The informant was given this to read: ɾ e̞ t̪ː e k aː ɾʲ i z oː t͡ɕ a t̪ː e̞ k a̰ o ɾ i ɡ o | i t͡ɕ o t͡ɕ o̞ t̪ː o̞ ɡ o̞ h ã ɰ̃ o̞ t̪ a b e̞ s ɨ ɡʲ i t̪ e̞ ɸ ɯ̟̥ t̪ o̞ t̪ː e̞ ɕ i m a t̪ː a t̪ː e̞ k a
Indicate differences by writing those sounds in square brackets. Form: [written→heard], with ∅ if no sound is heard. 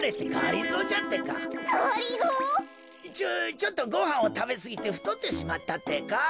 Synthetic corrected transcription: ɾ e̞ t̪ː e k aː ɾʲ i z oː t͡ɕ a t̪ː e̞ k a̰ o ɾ i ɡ o | i t͡ɕ o t͡ɕ o̞ t̪ː o̞ ɡ o̞ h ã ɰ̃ o̞ t̪ a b e̞ s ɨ ɡʲ i t̪ e̞ ɸ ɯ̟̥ t̪ o̞ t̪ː e̞ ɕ i m a t̪ː a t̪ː e̞ k a